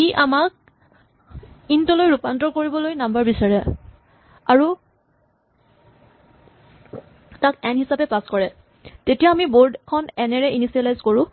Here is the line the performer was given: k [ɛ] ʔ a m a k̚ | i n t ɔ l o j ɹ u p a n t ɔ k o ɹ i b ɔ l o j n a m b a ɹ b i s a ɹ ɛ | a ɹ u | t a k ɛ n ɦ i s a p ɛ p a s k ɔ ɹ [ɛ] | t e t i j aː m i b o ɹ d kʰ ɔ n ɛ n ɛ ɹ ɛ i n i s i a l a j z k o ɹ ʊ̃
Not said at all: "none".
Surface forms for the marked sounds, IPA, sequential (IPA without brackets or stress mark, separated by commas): i, ɛ